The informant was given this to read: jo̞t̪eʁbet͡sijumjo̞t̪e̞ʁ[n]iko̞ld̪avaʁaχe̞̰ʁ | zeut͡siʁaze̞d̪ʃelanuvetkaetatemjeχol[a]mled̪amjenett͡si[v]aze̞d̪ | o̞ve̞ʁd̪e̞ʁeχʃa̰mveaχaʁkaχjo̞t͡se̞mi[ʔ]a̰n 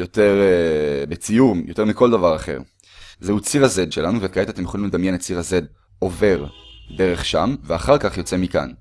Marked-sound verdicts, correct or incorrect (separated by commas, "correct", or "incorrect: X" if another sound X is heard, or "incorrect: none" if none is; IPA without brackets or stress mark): incorrect: m, incorrect: i, incorrect: ʁ, incorrect: k